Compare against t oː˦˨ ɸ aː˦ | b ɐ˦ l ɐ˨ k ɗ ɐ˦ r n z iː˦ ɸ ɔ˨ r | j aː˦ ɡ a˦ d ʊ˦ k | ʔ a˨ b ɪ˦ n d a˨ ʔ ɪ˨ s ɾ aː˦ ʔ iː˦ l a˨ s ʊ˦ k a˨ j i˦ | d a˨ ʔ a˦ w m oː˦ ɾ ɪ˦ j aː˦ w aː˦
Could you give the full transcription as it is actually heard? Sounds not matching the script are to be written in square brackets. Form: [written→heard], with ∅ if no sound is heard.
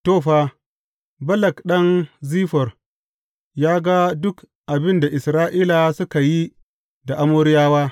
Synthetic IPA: t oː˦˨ ɸ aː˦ | b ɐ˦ l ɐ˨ k ɗ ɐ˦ [r→∅] n z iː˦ ɸ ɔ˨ r | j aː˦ ɡ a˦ d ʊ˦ k | ʔ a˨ b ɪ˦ n d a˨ ʔ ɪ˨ s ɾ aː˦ ʔ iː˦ l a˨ s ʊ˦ k a˨ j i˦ | d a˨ ʔ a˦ [w→∅] m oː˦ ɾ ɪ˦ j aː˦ w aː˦